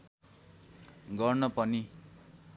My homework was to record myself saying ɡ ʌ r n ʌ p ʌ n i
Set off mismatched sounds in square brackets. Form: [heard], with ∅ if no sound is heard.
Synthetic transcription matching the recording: ɡ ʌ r n ʌ p ʌ n i